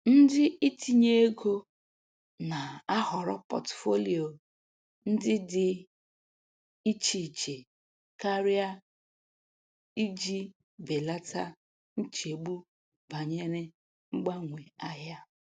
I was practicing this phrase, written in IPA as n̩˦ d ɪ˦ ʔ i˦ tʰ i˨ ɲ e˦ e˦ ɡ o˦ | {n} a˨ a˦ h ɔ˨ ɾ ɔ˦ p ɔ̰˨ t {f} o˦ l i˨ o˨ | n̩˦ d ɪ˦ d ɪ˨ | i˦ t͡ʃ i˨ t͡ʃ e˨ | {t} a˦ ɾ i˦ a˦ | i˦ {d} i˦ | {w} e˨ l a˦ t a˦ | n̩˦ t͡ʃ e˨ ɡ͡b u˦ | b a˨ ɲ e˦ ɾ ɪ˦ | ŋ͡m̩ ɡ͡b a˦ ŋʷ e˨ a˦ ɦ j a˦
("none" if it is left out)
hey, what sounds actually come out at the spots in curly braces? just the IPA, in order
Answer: n, f, k, d͡ʒ, b

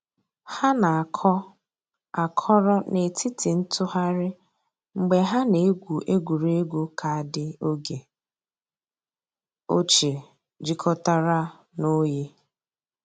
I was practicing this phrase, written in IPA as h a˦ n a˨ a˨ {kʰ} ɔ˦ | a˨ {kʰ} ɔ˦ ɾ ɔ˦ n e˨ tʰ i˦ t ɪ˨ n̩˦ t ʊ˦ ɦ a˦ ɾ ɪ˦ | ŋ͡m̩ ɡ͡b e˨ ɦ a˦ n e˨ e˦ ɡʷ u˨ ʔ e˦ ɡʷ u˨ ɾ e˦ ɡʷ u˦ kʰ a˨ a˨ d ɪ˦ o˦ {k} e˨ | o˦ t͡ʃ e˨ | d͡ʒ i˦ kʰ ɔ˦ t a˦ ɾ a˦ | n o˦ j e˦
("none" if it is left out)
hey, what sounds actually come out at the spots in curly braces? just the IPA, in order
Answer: kʰ, kʰ, ɡ

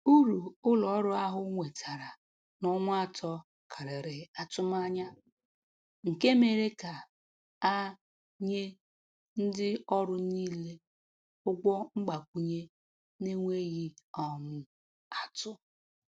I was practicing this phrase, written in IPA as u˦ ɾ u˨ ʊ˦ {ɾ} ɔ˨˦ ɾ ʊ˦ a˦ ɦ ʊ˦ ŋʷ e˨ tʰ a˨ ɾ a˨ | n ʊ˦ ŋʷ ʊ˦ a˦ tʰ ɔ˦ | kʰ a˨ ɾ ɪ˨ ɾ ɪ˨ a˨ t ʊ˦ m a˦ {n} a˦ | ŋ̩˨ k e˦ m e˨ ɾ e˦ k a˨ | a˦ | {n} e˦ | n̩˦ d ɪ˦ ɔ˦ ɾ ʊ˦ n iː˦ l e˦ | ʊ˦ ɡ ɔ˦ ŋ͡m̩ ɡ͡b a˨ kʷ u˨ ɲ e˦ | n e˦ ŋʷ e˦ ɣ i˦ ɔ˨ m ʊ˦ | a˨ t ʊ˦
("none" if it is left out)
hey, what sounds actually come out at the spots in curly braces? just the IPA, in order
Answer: l, ɲ, ɲ

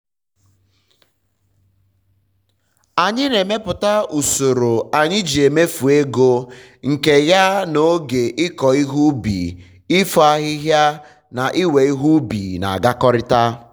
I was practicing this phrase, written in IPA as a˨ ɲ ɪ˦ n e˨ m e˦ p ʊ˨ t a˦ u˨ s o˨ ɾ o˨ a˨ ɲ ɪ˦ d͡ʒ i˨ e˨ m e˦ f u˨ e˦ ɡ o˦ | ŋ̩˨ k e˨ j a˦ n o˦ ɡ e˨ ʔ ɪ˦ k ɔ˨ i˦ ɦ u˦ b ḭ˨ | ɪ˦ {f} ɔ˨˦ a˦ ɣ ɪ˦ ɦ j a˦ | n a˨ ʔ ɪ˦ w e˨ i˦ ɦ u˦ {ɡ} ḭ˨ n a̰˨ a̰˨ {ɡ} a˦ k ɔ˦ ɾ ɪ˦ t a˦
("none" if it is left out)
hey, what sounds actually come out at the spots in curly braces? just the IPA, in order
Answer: f, b, ɡ

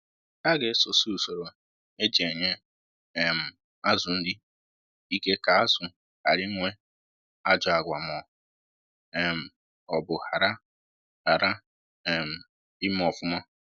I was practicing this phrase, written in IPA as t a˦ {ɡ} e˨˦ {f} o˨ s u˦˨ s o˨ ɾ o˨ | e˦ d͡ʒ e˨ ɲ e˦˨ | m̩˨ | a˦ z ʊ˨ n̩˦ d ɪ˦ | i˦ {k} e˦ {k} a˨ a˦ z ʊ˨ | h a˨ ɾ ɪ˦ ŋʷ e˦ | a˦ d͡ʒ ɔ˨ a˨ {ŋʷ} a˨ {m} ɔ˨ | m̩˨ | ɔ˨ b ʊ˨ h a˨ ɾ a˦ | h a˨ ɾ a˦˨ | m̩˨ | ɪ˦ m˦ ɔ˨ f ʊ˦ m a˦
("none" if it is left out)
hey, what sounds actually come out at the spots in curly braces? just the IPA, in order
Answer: ɡ, s, k, k, ɡʷ, m

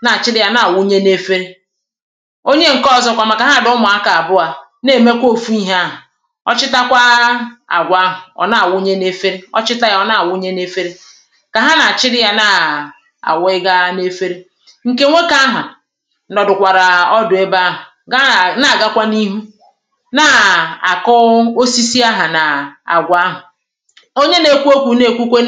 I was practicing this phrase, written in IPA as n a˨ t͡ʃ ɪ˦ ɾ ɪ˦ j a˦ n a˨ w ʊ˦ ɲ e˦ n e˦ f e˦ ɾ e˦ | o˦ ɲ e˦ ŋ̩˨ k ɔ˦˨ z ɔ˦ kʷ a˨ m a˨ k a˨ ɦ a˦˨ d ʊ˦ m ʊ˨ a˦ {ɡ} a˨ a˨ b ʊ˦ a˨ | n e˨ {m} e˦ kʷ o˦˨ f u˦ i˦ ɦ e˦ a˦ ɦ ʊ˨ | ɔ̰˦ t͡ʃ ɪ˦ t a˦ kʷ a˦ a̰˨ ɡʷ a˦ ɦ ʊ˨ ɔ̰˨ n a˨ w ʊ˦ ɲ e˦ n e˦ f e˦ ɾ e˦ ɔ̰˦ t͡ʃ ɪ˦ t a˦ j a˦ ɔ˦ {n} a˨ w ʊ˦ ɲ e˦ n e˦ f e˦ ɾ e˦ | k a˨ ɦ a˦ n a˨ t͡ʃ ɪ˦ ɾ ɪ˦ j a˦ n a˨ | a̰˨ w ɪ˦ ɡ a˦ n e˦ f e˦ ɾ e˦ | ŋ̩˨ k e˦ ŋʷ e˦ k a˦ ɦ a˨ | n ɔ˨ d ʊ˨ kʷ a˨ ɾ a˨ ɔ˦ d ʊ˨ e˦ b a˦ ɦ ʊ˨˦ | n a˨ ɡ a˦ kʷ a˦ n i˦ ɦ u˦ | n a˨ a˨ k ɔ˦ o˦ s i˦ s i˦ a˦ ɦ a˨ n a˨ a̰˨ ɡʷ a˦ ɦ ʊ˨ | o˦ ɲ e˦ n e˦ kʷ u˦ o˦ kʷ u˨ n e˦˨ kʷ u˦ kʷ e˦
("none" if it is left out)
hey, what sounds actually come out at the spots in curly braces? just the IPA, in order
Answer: k, m, n

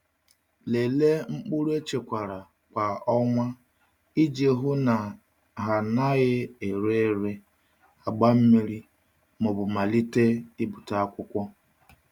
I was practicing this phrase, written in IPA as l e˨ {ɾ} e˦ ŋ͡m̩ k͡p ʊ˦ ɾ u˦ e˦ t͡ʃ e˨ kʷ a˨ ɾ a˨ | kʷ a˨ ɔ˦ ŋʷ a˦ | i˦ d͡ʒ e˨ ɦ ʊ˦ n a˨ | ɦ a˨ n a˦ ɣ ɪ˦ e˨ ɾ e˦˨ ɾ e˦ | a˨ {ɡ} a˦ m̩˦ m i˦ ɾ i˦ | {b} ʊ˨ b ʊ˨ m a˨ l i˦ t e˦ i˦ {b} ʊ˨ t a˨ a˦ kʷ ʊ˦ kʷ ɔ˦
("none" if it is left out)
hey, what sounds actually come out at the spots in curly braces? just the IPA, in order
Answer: l, ɡ͡b, m, b

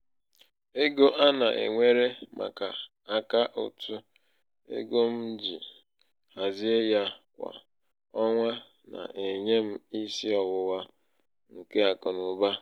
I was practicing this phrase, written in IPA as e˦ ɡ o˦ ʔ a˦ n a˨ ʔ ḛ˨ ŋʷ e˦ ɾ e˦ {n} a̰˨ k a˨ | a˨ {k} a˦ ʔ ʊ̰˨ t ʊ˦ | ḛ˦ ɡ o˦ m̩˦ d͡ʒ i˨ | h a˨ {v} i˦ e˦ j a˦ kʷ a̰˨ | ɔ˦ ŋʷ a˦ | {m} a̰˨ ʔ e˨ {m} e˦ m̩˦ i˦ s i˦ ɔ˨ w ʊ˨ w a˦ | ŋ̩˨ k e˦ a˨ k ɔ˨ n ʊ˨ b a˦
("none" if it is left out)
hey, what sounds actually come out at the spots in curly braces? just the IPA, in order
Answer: m, k, z, n, ɲ

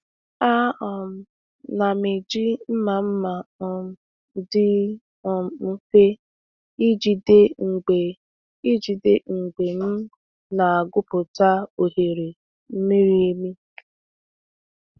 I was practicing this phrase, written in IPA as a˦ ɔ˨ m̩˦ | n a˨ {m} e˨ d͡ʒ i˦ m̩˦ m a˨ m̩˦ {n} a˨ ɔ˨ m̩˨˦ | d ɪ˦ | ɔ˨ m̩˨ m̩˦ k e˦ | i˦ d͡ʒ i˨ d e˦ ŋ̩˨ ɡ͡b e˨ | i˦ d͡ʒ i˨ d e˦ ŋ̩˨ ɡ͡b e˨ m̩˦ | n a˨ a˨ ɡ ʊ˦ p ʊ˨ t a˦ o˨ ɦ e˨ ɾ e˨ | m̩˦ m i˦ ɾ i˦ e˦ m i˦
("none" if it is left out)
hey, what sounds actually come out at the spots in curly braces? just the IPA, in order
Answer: m, m

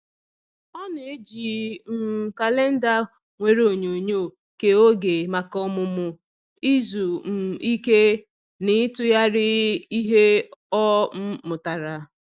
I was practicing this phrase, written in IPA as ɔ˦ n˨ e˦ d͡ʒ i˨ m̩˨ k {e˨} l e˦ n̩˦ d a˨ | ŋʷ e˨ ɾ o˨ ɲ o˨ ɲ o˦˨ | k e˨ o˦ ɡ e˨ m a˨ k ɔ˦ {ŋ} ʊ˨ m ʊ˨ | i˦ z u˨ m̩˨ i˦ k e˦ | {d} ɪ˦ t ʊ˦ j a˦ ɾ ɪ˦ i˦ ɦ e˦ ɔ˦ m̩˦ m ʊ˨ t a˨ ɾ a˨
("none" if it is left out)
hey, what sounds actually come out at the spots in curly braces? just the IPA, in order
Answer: a˨, m, n

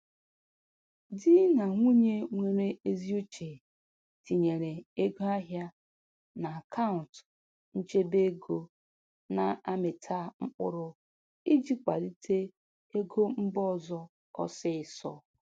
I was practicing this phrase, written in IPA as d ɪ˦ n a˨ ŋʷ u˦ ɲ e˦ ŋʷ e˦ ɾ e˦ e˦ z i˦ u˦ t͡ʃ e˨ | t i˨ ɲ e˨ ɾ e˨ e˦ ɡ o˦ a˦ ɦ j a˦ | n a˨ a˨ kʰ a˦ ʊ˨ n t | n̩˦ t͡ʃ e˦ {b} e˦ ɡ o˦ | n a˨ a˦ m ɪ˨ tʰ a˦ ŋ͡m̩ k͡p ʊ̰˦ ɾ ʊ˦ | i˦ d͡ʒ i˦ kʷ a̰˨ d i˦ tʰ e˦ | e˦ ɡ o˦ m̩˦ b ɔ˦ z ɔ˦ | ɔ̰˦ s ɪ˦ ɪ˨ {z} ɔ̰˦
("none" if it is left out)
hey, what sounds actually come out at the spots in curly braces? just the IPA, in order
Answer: b, s

